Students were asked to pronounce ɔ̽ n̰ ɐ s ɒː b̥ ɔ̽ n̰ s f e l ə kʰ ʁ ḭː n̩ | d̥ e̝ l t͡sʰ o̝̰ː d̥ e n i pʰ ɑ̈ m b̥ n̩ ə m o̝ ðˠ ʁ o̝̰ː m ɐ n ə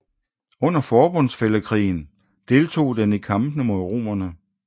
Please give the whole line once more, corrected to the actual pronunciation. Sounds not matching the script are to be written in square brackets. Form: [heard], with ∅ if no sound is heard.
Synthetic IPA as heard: ɔ̽ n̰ ɐ [f] ɒː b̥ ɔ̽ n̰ s f e l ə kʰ ʁ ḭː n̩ | d̥ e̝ l t͡sʰ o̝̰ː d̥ e n i [kʰ] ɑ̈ m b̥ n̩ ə m o̝ ðˠ ʁ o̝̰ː m ɐ n ə